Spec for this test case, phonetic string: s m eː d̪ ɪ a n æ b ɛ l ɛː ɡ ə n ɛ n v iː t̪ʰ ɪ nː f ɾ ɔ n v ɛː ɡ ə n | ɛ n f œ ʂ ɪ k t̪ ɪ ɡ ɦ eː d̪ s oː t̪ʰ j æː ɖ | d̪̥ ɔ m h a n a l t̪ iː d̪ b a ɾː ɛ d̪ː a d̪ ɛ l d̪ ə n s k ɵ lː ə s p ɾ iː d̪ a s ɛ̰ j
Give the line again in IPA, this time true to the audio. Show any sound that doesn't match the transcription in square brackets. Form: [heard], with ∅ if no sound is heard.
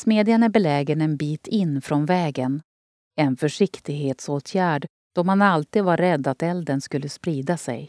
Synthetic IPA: s m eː d̪ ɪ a n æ b ɛ l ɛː ɡ ə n ɛ n [b] iː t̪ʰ ɪ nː f ɾ ɔ n v ɛː ɡ ə n | ɛ n f œ ʂ ɪ k t̪ ɪ ɡ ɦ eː [t̪] s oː t̪ʰ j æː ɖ | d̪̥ ɔ m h a n a l t̪ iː d̪ [v] a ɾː ɛ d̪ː a [t̪] ɛ l d̪ ə n s k ɵ lː ə s p ɾ iː d̪ a s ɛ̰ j